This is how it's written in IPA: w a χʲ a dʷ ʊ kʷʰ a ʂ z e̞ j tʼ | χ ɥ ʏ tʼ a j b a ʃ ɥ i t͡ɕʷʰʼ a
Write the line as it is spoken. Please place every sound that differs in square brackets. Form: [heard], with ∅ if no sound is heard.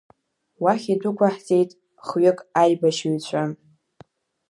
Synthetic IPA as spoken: w a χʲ [i] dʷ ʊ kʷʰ a [ħ] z e̞ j tʼ | χ ɥ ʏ [kʼ] a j b a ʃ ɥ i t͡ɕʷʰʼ a